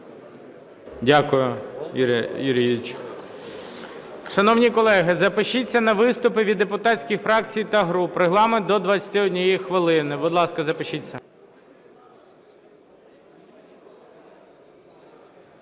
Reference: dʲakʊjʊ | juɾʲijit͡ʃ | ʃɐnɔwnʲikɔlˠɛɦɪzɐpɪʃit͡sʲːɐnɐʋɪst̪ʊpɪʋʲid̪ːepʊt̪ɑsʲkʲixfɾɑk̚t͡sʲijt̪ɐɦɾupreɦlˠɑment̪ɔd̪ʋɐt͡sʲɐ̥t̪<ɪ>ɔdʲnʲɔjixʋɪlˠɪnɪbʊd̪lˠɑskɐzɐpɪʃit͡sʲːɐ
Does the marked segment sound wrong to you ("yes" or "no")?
no